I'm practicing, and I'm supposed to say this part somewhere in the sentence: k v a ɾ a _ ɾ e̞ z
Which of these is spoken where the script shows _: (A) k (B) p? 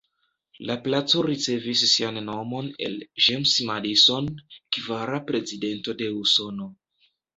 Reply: B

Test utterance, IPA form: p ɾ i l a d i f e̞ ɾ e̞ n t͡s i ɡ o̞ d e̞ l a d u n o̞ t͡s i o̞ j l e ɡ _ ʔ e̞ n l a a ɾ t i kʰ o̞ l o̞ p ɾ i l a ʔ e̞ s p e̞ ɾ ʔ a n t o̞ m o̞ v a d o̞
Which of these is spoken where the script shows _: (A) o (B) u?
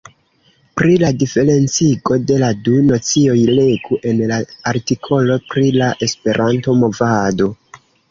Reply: B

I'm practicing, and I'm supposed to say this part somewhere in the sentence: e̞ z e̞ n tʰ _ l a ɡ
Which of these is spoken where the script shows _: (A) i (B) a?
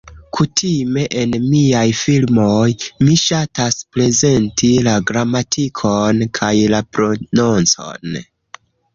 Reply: A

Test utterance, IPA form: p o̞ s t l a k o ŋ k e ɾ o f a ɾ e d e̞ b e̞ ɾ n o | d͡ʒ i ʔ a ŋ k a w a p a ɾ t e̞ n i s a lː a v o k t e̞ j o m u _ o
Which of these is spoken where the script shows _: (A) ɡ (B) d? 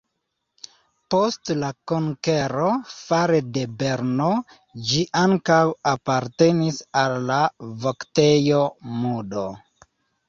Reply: B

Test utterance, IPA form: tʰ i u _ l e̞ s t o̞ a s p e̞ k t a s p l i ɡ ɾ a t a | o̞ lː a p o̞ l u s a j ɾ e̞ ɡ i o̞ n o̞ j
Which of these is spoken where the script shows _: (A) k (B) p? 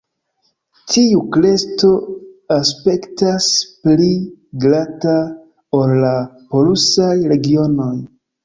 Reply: A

